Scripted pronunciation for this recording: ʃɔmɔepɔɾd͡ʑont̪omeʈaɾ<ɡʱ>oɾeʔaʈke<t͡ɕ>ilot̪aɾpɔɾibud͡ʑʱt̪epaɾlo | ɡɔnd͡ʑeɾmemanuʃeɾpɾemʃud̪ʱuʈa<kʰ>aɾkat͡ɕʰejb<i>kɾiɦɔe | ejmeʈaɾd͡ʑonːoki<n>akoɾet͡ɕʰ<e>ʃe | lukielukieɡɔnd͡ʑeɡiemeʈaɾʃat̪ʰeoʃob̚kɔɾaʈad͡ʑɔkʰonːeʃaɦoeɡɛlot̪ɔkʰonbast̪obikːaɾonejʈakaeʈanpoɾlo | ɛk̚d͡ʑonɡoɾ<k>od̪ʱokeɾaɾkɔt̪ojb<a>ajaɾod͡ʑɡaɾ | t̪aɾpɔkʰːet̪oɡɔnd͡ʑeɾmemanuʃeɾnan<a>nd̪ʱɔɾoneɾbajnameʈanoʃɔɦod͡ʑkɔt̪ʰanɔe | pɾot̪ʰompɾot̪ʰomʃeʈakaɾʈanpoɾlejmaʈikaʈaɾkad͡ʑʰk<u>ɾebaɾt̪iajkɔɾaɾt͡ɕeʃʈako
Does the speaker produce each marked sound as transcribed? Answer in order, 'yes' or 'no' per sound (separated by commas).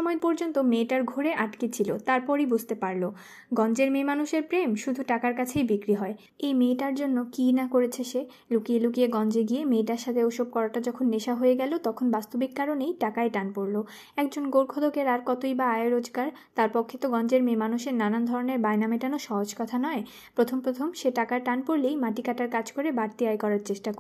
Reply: yes, no, no, yes, yes, yes, no, yes, yes, no